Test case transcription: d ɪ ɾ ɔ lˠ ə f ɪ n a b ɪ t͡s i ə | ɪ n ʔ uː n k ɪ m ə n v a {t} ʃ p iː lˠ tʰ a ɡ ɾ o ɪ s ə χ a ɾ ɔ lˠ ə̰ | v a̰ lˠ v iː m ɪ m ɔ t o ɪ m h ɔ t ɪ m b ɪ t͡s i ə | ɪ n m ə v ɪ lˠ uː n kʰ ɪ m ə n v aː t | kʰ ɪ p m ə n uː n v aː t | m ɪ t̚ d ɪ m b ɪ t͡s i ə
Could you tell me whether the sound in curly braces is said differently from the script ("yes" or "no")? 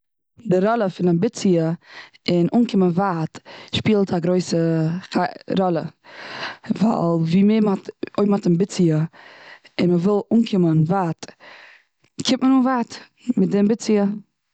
no